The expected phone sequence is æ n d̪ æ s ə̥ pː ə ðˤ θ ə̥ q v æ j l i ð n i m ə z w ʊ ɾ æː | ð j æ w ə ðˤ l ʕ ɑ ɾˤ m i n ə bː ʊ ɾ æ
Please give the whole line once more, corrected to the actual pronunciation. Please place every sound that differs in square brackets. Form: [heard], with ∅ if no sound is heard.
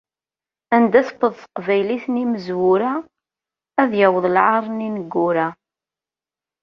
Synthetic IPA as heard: æ n d̪ æ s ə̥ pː ə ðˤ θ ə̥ q v æ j l i [θ] n i m ə z w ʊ ɾ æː | ð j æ w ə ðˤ l ʕ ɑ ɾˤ [n] i n ə [ɡː] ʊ ɾ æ